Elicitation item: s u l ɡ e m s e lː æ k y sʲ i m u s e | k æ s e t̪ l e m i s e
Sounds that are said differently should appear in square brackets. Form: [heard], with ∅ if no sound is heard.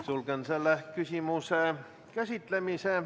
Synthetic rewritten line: s u l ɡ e [n] s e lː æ k y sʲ i m u s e | k æ s [i] t̪ l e m i s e